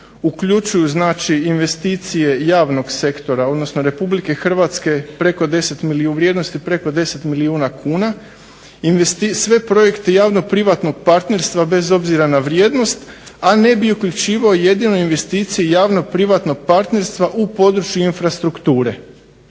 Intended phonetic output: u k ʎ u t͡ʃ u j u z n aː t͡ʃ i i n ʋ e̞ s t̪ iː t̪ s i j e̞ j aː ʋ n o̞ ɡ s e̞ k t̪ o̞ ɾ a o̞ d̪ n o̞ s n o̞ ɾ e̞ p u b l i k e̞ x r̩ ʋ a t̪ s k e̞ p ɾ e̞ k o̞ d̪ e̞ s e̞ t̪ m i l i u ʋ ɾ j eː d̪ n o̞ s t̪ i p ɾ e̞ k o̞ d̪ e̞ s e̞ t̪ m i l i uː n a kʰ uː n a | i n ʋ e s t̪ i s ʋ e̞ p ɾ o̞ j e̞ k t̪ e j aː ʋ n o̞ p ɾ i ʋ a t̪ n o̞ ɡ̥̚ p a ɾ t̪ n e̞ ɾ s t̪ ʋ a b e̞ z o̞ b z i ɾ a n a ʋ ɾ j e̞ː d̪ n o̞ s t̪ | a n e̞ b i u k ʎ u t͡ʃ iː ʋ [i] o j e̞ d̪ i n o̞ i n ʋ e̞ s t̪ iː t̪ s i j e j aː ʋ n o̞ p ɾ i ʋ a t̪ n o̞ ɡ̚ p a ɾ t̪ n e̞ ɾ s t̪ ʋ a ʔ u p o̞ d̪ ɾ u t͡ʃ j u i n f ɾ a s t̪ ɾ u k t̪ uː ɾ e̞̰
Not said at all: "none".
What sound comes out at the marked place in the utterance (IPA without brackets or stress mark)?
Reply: a